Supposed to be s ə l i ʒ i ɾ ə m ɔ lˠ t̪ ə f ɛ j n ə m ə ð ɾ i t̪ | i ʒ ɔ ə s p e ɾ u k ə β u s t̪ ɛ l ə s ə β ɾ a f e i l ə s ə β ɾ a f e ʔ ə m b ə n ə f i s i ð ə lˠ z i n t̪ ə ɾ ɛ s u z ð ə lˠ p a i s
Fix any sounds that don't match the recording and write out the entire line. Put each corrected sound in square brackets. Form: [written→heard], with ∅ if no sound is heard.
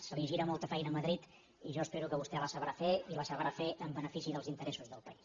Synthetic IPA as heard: s ə l i ʒ i ɾ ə m ɔ lˠ t̪ ə f ɛ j n ə m ə ð ɾ i t̪ | i ʒ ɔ ə s p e ɾ u k ə β u s t̪ ɛ l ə s ə β ɾ a f e i l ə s ə β ɾ a f e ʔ ə m b ə n ə f i s i ð ə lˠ z i n t̪ ə ɾ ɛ s u z ð ə lˠ p [a→ə] i s